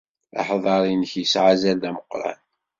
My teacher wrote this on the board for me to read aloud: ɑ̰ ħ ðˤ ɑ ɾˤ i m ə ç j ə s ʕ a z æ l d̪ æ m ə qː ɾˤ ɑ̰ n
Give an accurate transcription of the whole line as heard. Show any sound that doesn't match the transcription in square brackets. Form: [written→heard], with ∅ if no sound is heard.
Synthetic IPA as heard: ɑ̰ ħ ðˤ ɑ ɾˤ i [m→n] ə ç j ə s ʕ a z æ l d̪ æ m ə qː ɾˤ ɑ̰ n